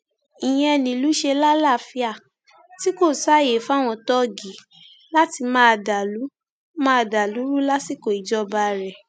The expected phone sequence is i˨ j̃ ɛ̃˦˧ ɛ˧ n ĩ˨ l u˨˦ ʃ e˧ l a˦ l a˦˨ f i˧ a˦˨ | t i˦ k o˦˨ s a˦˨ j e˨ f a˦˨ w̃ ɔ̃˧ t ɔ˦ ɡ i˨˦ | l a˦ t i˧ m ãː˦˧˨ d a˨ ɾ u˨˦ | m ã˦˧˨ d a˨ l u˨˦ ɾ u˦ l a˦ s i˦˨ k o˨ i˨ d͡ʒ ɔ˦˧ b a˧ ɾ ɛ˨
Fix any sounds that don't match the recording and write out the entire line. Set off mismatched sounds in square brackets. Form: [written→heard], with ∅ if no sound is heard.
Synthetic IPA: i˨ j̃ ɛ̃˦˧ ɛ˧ n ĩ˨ l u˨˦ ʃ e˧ l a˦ l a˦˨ f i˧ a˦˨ | t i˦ k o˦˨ s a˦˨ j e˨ f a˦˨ w̃ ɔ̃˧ t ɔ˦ ɡ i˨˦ | l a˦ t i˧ m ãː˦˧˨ d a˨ [ɾ→l] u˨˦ | m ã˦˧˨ d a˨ l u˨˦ ɾ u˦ l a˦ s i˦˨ k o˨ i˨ d͡ʒ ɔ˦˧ b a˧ ɾ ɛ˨